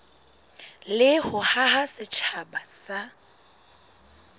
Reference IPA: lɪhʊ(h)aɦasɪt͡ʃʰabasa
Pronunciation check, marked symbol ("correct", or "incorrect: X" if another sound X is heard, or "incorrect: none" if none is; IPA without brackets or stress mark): correct